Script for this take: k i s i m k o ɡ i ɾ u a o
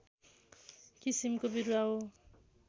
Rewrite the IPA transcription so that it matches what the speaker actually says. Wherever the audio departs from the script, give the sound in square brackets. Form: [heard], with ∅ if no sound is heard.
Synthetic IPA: k i s i m k o [b] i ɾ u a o